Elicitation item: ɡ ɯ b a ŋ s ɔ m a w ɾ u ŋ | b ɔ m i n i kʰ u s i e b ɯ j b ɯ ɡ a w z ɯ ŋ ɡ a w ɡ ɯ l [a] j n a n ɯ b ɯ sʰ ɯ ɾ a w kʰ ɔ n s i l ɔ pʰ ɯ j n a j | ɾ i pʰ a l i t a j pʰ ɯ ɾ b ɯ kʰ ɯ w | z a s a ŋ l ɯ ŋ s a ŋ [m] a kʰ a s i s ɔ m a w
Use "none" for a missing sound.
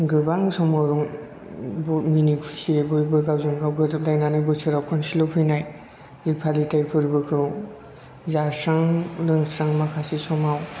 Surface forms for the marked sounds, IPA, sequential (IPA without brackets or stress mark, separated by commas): a, m